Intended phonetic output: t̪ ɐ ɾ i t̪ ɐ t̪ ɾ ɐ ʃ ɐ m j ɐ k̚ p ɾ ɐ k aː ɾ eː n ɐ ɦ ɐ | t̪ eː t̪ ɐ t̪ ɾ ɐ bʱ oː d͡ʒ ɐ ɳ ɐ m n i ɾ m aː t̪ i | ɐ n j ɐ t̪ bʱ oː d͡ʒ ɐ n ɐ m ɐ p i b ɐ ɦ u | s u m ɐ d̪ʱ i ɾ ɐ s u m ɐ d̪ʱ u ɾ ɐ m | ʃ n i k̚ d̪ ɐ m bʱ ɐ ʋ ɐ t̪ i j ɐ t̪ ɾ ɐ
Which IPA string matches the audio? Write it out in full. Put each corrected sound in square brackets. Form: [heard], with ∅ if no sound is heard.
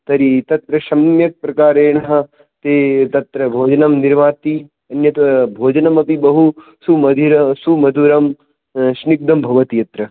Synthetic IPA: t̪ ɐ ɾ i t̪ ɐ t̪ ɾ ɐ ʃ ɐ m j ɐ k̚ p ɾ ɐ k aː ɾ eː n ɐ ɦ ɐ | t̪ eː t̪ ɐ t̪ ɾ ɐ bʱ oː d͡ʒ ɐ [n] ɐ m n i ɾ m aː t̪ i | ɐ n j ɐ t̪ bʱ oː d͡ʒ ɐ n ɐ m ɐ p i b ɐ ɦ u | s u m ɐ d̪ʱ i ɾ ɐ s u m ɐ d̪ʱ u ɾ ɐ m | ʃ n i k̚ d̪ ɐ m bʱ ɐ ʋ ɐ t̪ i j ɐ t̪ ɾ ɐ